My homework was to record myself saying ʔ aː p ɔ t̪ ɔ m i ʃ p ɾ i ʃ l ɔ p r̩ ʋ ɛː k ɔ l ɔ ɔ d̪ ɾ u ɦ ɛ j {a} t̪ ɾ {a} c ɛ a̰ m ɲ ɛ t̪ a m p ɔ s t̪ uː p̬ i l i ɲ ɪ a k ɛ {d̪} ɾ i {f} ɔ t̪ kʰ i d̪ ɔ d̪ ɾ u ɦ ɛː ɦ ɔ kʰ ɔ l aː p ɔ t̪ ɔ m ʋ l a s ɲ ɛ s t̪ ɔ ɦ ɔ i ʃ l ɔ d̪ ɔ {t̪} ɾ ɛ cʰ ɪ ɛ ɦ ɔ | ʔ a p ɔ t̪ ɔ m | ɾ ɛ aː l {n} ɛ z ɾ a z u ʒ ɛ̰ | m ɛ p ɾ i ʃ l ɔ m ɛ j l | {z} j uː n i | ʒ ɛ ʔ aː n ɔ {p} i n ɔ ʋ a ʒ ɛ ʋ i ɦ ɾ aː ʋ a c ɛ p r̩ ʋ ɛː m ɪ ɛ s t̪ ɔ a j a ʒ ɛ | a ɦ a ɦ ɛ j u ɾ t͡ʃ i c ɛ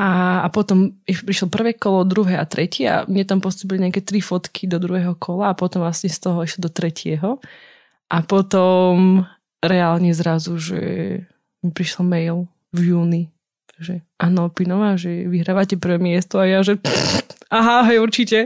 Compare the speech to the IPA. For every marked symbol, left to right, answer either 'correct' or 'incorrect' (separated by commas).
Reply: correct, incorrect, incorrect, correct, correct, incorrect, incorrect, correct